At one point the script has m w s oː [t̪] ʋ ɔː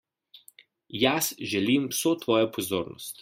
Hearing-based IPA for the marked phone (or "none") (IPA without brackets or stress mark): t̪